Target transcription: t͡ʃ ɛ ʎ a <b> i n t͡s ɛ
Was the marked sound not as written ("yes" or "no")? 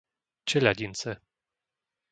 yes